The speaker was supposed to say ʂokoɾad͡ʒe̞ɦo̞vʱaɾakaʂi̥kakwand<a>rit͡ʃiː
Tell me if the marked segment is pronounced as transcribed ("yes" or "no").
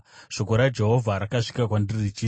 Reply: no